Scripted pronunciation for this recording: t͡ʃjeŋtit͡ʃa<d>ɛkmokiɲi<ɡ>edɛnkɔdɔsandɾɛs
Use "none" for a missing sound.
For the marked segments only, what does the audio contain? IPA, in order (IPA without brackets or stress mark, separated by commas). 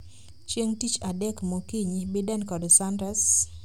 d, b